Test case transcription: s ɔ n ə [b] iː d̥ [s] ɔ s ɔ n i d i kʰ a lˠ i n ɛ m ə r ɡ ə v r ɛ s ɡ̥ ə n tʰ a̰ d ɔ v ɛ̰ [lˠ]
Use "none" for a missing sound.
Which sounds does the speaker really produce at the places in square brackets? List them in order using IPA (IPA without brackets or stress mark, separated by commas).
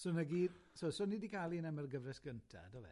ɡ, s, none